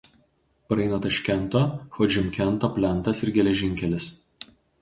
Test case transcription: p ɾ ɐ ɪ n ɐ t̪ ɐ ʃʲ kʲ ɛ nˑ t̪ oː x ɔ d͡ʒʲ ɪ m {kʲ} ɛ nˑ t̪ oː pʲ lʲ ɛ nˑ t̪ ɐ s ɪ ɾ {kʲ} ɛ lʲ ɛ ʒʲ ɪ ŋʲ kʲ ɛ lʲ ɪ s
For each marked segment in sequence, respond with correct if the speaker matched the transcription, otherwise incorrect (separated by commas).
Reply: correct, incorrect